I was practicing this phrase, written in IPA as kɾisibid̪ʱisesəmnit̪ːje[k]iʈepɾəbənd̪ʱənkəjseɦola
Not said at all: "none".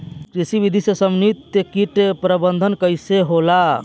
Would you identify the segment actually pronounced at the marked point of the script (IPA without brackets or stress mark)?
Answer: k